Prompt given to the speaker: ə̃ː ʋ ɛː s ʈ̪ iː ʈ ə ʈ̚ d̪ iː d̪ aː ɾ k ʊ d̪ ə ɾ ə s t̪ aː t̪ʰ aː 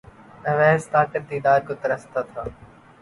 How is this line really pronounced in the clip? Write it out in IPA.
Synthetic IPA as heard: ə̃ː ʋ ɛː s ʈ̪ aː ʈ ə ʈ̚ d̪ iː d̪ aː ɾ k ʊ t̪ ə ɾ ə s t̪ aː t̪ʰ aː